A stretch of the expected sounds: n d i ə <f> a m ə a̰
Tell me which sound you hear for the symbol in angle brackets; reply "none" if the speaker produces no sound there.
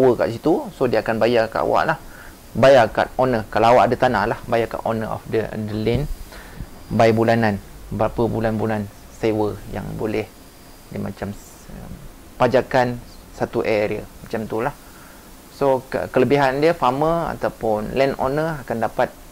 f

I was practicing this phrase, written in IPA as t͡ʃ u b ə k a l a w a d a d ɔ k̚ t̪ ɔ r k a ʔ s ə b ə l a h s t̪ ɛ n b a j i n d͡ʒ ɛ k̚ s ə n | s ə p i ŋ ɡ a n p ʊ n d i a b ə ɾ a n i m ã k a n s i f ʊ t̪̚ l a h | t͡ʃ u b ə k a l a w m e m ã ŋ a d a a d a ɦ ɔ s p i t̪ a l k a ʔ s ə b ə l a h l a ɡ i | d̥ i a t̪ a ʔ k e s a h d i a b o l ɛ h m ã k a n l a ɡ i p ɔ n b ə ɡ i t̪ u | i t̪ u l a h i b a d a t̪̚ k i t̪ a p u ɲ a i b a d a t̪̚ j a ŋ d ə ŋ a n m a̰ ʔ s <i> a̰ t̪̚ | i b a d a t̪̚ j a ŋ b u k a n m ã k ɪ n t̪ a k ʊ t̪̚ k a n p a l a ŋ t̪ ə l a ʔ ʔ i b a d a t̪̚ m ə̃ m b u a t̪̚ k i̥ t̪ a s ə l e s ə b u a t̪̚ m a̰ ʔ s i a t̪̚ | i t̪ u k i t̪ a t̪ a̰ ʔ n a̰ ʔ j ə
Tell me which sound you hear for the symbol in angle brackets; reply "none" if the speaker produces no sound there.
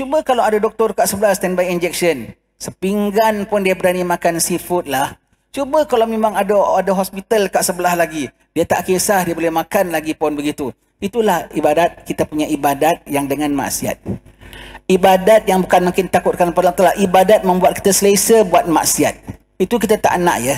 i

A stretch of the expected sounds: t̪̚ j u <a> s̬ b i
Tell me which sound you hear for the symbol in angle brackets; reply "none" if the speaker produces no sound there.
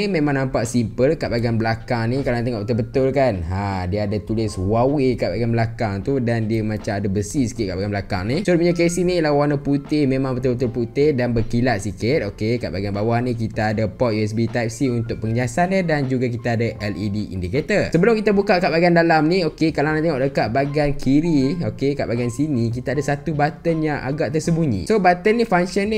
ɛ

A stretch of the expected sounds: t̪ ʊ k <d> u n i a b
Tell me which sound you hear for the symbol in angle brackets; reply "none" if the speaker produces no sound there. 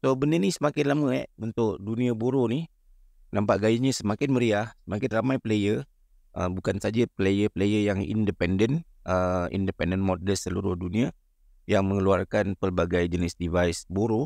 d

